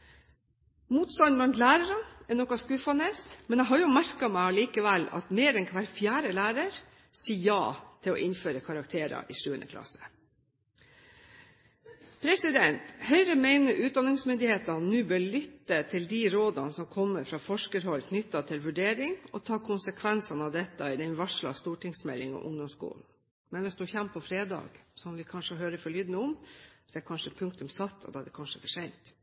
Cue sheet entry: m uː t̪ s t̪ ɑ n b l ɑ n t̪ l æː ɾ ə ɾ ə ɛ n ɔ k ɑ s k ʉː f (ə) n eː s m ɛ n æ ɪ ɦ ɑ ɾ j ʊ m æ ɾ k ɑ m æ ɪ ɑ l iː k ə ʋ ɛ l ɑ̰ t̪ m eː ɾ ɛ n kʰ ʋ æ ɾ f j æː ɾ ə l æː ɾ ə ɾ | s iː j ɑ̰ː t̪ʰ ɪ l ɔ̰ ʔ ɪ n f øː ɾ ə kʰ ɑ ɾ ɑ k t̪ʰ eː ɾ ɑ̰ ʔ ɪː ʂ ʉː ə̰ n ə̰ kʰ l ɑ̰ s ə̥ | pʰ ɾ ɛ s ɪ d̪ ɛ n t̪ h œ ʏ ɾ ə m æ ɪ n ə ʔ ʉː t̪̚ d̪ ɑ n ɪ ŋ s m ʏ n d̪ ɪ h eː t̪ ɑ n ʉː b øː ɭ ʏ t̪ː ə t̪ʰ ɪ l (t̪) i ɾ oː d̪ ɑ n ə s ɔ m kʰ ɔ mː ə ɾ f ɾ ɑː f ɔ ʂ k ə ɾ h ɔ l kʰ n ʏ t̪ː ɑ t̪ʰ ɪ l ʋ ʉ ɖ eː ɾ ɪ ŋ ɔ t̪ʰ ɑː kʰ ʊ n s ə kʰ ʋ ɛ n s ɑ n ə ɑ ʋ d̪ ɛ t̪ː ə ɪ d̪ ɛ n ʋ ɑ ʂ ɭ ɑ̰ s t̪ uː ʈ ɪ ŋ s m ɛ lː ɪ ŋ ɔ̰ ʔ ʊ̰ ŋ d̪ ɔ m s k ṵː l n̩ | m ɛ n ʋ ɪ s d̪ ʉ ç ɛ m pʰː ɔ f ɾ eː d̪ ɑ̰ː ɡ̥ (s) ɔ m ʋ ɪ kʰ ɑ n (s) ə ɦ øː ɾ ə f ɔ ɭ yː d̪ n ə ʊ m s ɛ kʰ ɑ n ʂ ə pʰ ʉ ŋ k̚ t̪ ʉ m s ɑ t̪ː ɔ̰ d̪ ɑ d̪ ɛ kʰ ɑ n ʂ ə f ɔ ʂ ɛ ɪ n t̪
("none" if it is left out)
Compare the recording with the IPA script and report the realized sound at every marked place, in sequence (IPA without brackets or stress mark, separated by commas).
ɑ, d̪, s, ʂ